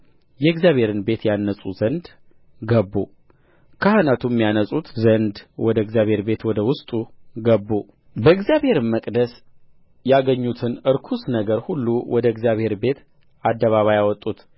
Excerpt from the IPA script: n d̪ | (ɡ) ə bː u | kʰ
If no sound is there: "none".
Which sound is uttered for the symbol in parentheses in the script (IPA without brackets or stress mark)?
ɡ